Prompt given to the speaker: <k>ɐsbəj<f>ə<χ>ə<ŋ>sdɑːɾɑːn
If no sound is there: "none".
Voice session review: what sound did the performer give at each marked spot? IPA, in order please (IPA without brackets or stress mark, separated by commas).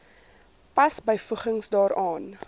p, f, χ, ŋ